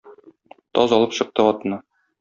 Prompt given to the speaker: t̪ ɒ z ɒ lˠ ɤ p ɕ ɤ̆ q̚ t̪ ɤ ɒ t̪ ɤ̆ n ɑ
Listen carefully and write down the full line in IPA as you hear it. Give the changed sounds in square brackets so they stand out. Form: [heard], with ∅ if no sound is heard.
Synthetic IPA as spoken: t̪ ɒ z ɒ lˠ ɤ p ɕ ɤ̆ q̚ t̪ ɤ ɒ t̪ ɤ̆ n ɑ